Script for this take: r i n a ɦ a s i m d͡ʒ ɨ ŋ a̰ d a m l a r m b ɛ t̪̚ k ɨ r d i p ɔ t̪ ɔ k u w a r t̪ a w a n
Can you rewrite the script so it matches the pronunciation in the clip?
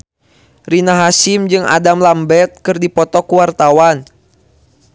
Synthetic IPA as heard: r i n a ɦ a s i m d͡ʒ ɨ ŋ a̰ d a m l a m b ɛ t̪̚ k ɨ r d i p ɔ t̪ ɔ k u w a r t̪ a w a n